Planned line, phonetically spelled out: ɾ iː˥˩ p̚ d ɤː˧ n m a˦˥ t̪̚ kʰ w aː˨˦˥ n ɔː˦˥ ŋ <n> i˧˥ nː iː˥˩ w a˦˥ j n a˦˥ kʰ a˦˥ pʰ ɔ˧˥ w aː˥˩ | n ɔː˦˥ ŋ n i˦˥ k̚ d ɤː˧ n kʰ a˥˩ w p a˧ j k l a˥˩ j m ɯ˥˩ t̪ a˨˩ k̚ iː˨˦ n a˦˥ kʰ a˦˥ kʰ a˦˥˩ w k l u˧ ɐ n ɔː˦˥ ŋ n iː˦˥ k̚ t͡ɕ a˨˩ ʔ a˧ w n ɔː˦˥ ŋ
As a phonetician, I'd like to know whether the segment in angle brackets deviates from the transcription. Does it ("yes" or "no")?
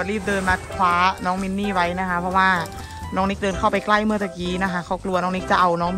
yes